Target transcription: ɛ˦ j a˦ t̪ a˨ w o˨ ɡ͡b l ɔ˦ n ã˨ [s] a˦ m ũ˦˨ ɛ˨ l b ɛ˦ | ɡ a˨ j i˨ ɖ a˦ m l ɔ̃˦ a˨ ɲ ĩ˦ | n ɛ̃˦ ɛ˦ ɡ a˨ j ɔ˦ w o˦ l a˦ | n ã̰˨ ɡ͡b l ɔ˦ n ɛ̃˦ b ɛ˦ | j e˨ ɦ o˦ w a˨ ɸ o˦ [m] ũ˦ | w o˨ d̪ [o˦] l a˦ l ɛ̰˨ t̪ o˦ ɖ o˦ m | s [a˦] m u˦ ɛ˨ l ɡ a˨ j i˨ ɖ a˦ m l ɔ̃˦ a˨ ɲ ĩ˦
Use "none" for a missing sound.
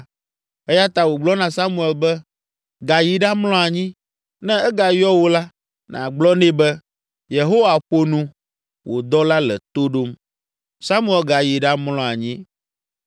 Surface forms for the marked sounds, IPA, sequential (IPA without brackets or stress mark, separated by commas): s, n, ɔ˦, a˦